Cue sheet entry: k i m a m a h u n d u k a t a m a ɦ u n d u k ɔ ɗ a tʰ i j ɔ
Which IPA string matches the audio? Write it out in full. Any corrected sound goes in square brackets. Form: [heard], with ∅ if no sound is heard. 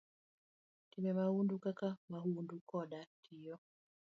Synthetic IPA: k i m [ɛ] m a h u n d u k a [k] a m a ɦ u n d u k ɔ ɗ a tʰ i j ɔ